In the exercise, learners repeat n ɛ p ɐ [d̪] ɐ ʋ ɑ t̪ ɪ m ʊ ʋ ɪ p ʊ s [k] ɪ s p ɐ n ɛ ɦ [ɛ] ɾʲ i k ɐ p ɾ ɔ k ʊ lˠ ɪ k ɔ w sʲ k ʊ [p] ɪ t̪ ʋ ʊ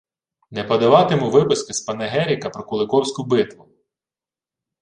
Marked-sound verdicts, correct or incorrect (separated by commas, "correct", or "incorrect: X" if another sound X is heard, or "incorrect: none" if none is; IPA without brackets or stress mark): correct, correct, correct, incorrect: b